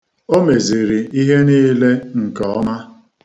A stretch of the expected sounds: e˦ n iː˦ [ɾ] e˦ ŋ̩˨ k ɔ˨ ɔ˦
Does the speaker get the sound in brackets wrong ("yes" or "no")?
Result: yes